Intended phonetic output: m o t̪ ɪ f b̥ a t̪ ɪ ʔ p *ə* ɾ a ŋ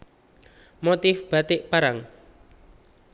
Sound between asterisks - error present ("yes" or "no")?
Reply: yes